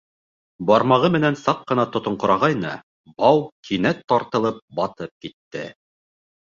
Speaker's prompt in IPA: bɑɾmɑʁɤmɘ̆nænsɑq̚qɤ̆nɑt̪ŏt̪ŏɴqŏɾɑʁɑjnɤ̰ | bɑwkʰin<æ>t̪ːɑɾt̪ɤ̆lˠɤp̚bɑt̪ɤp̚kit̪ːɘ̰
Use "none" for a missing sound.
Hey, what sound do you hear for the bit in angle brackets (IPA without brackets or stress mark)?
æ